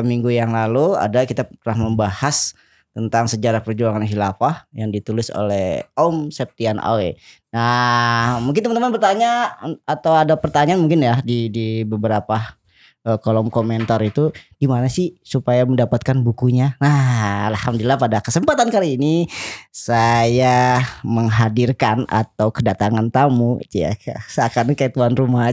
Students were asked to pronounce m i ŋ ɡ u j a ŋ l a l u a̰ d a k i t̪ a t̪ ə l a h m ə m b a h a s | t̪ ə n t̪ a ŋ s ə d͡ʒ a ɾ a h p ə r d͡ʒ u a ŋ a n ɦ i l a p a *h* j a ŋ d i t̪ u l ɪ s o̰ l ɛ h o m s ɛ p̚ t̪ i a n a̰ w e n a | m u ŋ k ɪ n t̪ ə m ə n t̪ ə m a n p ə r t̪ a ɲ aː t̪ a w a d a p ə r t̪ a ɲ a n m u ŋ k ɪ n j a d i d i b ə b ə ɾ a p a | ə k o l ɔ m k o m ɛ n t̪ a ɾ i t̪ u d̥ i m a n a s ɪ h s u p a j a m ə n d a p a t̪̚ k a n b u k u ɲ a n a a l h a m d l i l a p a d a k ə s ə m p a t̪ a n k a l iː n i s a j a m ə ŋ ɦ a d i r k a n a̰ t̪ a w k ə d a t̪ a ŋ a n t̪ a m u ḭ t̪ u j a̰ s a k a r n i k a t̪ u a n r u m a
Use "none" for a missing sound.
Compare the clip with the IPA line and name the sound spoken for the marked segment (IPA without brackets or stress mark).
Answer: h